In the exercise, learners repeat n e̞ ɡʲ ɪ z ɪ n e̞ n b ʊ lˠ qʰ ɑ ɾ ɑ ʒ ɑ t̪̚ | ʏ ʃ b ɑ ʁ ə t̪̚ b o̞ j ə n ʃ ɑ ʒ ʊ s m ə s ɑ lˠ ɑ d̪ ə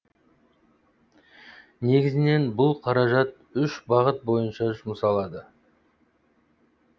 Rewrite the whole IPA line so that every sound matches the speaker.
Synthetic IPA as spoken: n e̞ ɡʲ ɪ z ɪ n e̞ n b ʊ lˠ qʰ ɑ ɾ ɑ ʒ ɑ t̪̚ | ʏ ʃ b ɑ ʁ ə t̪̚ b o̞ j ə n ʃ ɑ ʒ ʊ m ə s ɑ lˠ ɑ d̪ ə